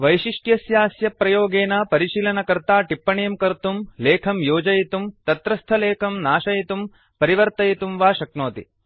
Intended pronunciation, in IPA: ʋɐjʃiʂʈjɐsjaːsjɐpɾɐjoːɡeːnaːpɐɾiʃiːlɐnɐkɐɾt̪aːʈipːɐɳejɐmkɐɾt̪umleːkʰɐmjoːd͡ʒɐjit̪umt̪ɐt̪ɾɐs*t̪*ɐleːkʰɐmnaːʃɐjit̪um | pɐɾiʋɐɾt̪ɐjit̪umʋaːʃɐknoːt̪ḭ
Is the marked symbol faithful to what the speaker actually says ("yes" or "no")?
no